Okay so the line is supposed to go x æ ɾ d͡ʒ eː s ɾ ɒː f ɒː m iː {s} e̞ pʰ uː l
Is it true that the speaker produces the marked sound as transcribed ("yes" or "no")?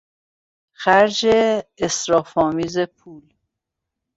no